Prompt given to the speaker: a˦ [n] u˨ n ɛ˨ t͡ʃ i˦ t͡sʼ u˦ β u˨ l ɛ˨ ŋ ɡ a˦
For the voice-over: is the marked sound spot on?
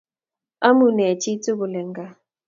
no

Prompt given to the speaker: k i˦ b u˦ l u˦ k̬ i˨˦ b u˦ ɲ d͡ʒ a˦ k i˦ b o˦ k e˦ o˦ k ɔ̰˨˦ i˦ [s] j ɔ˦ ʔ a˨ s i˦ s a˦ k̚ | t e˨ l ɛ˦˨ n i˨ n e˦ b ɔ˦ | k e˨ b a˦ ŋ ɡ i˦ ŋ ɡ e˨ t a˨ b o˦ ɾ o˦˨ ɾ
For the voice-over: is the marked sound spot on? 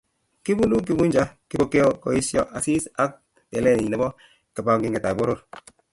yes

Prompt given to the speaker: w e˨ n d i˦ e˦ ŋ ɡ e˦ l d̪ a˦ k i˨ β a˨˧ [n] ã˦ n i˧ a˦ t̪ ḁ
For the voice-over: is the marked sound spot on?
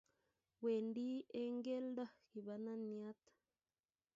yes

